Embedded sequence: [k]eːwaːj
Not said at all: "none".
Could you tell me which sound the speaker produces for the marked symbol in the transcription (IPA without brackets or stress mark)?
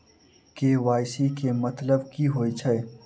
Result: k